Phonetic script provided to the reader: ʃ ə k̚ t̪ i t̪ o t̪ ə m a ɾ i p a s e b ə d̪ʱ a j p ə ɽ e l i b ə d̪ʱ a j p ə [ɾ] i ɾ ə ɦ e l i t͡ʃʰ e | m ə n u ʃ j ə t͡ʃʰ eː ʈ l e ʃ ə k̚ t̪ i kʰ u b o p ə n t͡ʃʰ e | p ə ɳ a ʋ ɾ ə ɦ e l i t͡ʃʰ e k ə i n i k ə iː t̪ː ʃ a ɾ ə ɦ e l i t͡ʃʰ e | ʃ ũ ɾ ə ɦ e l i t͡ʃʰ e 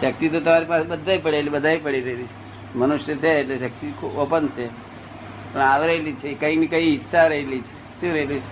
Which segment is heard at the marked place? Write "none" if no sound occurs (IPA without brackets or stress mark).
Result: ɽ